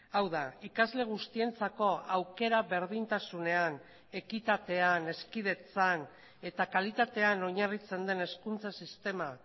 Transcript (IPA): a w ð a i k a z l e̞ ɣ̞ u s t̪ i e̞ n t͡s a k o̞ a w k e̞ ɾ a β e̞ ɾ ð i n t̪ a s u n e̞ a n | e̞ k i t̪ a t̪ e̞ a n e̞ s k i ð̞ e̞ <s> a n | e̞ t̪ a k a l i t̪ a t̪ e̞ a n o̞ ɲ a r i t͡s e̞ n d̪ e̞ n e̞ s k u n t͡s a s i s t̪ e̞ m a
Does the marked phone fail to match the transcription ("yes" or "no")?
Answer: yes